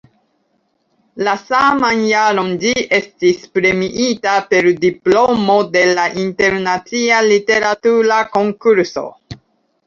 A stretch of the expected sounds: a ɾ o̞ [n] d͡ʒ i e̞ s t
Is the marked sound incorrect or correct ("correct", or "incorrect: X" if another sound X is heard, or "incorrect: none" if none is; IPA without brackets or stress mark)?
correct